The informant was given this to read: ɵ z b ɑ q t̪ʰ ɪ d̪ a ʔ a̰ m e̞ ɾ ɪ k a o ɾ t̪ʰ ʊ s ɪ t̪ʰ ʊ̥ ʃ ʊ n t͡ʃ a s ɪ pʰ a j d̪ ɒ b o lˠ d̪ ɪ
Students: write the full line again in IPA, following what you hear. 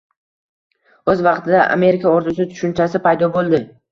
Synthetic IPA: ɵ z v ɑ q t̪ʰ ɪ d̪ a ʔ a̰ m e̞ ɾ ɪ k a o ɾ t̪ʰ ʊ s ɪ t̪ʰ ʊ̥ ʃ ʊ n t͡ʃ a s ɪ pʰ a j d̪ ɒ b o lˠ d̪ ɪ